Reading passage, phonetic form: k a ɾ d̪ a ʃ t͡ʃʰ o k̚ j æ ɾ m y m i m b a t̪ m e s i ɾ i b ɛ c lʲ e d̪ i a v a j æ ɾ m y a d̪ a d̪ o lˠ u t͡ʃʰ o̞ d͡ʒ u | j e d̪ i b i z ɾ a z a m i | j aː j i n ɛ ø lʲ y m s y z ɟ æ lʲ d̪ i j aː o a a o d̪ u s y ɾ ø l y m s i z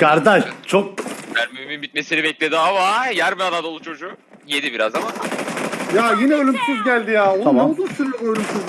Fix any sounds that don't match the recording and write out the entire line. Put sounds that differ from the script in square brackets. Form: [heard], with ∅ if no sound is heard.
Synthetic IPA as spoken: k a ɾ d̪ a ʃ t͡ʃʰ o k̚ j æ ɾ m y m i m b [i] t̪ m e s i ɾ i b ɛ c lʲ e d̪ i a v a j æ ɾ m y a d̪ a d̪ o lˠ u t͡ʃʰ o̞ d͡ʒ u | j e d̪ i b i [∅] ɾ a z a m [a] | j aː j i n ɛ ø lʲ y m s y z ɟ æ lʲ d̪ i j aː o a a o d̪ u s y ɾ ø l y m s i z